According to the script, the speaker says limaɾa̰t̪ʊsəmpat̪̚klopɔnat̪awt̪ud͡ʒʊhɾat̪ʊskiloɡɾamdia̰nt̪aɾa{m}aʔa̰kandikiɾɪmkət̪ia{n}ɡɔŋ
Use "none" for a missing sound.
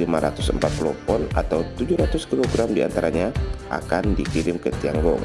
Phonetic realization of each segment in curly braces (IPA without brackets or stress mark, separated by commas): ɲ, ŋ